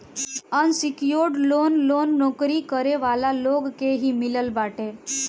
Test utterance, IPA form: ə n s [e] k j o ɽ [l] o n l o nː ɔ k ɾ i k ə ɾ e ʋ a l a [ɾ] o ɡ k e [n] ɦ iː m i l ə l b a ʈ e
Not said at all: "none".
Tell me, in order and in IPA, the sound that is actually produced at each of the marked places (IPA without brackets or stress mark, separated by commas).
i, l, l, none